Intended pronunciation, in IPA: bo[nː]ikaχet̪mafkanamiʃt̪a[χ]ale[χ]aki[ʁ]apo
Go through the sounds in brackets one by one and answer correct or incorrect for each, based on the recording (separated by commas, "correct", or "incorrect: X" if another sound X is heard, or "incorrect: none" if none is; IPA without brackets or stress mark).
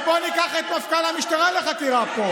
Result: incorrect: n, incorrect: ʁ, correct, correct